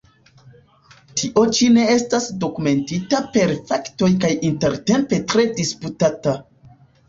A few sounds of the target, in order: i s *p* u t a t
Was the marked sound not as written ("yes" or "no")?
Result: no